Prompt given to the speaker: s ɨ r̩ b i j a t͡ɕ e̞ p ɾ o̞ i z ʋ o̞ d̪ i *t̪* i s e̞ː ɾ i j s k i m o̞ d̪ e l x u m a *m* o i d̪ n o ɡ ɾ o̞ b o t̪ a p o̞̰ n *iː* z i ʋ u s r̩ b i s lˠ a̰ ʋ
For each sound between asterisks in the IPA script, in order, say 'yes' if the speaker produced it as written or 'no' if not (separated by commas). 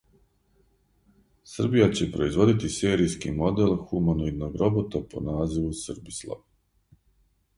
yes, no, no